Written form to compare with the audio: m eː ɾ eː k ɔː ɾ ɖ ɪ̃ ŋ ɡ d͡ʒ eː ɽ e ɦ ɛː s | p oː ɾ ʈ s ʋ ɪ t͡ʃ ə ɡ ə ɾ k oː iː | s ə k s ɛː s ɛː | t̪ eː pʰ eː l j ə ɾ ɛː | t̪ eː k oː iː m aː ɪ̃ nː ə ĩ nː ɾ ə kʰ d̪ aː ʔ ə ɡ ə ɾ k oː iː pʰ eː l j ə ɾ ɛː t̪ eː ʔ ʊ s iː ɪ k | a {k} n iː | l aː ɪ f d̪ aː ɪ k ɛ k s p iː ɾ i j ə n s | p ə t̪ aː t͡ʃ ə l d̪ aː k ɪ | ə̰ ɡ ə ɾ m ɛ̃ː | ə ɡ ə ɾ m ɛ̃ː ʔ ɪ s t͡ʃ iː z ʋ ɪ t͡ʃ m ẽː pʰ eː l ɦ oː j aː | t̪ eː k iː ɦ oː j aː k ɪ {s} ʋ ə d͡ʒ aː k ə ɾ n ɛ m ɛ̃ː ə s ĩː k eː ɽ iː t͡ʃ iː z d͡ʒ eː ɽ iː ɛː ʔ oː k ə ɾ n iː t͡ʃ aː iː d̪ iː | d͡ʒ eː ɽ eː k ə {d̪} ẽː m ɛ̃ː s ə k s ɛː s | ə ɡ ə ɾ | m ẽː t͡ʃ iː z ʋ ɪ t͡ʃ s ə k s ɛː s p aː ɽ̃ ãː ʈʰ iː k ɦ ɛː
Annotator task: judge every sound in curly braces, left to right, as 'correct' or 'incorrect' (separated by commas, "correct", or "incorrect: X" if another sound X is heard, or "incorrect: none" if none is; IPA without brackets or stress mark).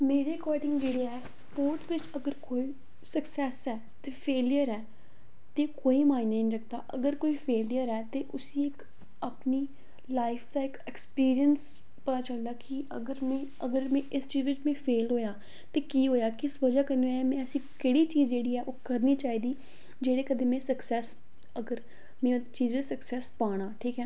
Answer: incorrect: p, correct, correct